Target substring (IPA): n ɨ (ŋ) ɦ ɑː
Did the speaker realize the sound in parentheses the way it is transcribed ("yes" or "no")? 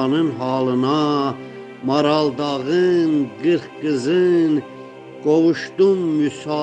no